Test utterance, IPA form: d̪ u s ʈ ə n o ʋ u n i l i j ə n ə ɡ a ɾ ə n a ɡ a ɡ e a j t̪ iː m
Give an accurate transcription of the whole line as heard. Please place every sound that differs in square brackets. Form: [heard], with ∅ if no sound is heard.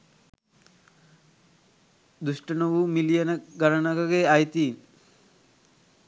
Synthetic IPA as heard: d̪ u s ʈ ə n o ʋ u [m] i l i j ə n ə ɡ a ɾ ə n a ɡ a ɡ e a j t̪ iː [n]